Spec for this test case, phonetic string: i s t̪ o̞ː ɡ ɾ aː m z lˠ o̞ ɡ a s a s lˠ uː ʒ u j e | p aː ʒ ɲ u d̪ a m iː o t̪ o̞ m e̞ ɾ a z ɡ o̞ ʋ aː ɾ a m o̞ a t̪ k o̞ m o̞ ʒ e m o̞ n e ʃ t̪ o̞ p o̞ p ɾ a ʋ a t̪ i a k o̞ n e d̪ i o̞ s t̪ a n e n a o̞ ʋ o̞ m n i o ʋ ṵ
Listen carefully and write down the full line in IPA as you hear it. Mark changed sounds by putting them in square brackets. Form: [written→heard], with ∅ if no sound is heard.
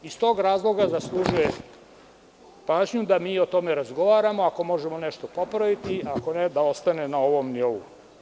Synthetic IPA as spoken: i s t̪ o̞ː ɡ ɾ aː [m→∅] z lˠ o̞ ɡ a [s→z] a s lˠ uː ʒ u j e | p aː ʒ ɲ u d̪ a m iː o t̪ o̞ m e̞ ɾ a z ɡ o̞ ʋ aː ɾ a m o̞ a [t̪→∅] k o̞ m o̞ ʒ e m o̞ n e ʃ t̪ o̞ p o̞ p ɾ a ʋ [a→i] t̪ i a k o̞ n e d̪ [i→a] o̞ s t̪ a n e n a o̞ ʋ o̞ m n i o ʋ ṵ